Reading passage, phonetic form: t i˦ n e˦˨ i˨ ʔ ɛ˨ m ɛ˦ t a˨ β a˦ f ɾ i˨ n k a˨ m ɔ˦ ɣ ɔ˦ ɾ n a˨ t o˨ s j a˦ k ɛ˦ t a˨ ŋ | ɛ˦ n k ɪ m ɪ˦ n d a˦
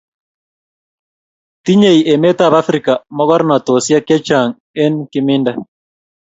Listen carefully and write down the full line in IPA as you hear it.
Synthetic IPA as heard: t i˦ ɲ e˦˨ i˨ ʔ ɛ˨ m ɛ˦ t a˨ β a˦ f ɾ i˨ k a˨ m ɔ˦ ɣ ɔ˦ ɾ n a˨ t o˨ s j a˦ k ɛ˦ t͡ʃ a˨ ŋ | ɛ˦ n k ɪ m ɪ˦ n d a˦

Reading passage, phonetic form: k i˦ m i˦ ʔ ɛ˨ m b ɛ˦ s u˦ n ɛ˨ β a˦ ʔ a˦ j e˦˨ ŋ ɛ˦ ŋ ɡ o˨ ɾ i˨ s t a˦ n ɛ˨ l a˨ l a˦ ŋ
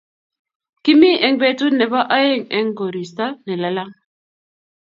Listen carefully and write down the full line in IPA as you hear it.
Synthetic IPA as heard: k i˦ m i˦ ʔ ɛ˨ ŋ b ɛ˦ t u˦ n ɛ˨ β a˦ ʔ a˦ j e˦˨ ŋ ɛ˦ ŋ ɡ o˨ ɾ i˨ s t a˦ n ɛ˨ l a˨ l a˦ ŋ

